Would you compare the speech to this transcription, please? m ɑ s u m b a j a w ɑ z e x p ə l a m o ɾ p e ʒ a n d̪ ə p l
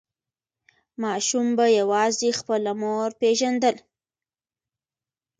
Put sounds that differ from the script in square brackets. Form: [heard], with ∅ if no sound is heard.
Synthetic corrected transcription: m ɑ [ʃ] u m b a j a w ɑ z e x p ə l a m o ɾ p e ʒ a n d̪ ə [∅] l